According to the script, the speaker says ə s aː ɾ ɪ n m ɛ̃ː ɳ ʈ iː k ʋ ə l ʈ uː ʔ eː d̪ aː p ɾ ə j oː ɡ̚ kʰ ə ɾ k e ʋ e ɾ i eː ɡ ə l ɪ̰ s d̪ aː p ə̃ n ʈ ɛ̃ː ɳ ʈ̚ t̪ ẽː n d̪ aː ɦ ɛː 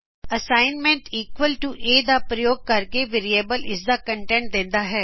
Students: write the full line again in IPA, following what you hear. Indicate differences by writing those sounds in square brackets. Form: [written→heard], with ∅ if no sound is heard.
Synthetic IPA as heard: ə s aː [ɾ→∅] ɪ n m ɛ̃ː ɳ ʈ iː k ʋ ə l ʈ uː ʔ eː d̪ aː p ɾ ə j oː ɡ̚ [kʰ→k] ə ɾ k e ʋ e ɾ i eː [ɡ→b] ə l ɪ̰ s d̪ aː [p→k] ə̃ [n→ɳ] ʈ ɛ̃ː ɳ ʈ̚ [t̪→d̪] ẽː n d̪ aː ɦ ɛː